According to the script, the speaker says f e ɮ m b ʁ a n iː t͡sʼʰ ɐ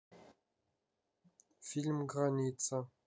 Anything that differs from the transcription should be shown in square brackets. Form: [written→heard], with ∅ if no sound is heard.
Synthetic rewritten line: f [e→i] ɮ m [b→ɡ] ʁ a n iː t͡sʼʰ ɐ